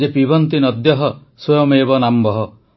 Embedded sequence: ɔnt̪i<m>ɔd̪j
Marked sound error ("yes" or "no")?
yes